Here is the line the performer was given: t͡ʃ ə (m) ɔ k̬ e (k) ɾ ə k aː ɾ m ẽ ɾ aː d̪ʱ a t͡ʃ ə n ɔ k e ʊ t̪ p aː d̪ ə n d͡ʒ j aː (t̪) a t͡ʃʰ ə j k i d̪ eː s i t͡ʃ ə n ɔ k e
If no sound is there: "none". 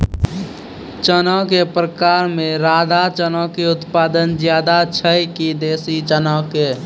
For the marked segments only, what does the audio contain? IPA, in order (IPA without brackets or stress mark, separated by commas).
n, p, d̪